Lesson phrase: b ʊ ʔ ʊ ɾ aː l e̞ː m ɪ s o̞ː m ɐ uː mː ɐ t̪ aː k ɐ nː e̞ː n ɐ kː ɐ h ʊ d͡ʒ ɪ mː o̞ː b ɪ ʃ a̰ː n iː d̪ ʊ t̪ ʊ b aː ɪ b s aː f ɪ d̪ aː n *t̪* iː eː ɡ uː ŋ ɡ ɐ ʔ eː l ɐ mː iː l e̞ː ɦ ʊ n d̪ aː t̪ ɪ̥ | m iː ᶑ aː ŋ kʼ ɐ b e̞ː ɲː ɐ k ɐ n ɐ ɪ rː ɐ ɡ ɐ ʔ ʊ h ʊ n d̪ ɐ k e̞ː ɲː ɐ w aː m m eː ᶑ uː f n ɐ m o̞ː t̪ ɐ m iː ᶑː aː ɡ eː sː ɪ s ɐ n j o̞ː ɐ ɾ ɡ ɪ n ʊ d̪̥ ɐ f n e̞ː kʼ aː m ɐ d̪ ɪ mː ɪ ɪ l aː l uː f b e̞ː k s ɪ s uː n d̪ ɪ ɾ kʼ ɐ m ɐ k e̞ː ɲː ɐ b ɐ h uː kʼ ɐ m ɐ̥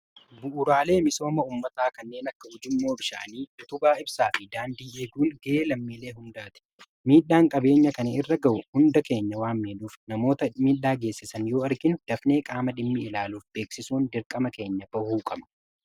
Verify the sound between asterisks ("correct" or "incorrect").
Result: incorrect